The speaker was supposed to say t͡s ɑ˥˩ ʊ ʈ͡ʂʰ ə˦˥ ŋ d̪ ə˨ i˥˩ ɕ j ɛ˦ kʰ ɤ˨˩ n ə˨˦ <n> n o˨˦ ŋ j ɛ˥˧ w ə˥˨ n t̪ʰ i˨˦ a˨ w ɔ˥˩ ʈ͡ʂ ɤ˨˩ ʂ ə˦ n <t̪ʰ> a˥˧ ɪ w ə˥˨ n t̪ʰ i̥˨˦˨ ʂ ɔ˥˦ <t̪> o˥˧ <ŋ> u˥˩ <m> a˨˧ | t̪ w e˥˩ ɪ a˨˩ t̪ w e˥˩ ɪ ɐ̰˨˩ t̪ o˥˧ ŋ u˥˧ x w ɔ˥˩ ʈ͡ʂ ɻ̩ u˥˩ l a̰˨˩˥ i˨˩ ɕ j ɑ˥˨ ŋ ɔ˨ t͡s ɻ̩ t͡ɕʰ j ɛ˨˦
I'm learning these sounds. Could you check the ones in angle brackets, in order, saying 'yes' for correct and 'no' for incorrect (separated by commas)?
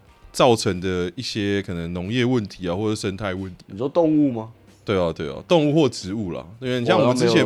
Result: no, yes, yes, yes, yes